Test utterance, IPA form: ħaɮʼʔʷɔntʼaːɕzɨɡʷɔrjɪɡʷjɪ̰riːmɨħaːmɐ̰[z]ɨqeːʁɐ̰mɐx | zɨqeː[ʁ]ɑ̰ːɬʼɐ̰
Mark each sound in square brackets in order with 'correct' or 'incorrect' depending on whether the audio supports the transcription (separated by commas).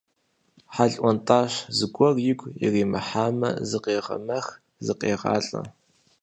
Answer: correct, correct